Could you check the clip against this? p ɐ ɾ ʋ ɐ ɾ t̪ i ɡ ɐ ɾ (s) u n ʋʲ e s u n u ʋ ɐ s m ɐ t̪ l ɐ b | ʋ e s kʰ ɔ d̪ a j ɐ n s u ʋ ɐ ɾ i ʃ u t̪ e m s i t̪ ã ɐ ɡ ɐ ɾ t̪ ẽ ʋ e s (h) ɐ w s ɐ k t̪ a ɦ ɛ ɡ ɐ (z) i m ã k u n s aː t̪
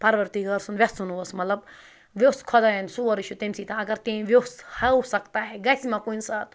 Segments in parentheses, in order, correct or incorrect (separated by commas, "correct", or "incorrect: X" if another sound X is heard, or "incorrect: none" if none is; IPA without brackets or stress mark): correct, correct, incorrect: s